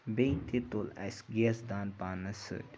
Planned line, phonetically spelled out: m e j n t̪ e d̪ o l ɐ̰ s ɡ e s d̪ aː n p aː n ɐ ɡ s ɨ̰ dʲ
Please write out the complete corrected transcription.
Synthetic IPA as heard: b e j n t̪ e t̪ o l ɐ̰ s ɡ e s d̪ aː n p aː n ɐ s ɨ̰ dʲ